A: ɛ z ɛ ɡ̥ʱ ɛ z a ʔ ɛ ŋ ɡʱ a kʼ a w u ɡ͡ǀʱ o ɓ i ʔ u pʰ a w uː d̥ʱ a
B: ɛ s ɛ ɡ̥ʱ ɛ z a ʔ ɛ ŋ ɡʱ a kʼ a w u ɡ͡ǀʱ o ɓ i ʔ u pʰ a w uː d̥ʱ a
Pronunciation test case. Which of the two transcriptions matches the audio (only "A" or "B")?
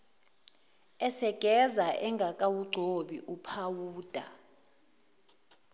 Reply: B